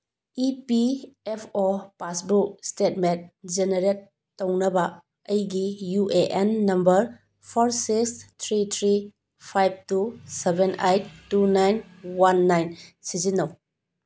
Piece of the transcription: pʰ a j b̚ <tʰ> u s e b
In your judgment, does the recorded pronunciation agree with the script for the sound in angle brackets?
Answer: no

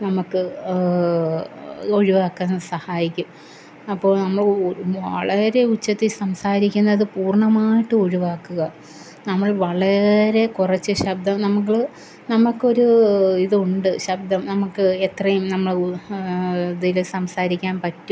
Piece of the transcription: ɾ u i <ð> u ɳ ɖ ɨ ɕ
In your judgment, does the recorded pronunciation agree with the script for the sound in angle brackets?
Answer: yes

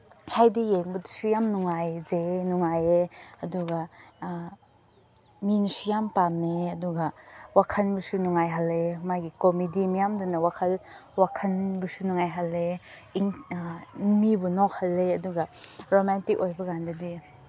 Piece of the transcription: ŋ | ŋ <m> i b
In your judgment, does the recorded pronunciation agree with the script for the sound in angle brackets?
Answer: yes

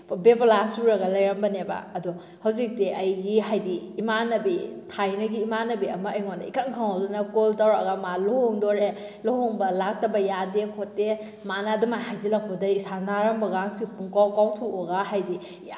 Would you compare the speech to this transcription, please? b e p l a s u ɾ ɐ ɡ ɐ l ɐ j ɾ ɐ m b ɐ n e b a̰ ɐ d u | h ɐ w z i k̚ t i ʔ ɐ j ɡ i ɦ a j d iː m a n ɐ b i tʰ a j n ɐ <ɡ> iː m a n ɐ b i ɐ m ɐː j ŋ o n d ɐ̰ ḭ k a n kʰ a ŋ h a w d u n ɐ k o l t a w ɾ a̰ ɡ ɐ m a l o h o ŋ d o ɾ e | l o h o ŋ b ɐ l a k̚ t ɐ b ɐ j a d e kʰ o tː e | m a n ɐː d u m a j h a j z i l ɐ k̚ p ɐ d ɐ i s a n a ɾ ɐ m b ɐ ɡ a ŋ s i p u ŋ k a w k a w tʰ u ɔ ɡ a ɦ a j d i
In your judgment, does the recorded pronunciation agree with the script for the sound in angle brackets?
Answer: yes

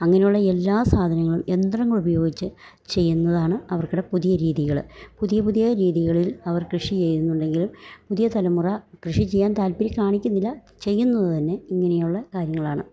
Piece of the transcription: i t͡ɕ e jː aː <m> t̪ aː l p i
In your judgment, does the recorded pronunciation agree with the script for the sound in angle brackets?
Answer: no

